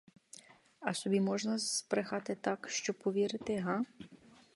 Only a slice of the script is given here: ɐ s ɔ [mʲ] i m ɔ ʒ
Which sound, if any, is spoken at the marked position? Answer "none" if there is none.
bʲ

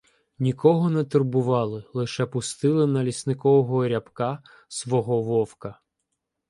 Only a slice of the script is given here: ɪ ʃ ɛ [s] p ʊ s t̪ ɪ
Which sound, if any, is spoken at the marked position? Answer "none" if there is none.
none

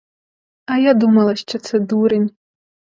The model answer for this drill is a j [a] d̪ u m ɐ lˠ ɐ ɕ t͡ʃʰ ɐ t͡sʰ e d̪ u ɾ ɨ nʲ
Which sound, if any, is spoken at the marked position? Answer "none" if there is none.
a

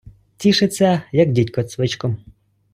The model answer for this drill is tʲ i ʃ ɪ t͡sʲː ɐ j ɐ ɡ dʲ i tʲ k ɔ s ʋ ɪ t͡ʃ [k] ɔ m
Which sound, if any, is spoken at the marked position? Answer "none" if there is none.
k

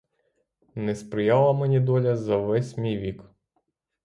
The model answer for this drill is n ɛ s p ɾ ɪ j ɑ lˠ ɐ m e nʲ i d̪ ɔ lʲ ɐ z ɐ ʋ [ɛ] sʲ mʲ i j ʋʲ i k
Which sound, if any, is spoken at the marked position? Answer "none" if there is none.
ɛ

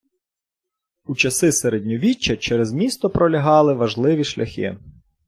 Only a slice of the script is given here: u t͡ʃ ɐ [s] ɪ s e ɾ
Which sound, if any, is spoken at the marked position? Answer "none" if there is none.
s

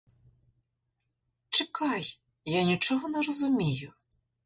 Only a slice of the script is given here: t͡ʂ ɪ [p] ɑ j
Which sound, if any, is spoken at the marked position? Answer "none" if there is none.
k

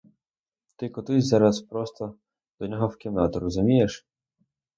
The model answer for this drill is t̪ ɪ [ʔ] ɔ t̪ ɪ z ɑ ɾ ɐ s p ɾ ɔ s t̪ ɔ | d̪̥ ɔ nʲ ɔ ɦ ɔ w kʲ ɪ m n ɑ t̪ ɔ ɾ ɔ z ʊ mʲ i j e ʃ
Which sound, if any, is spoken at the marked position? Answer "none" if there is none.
k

